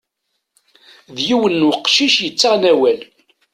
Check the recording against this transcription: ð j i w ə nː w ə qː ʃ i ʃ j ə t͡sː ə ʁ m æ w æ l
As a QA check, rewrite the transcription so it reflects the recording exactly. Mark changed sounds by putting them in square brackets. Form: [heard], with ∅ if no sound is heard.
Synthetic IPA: ð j i w ə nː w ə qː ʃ i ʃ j ə t͡sː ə ʁ [n] æ w æ l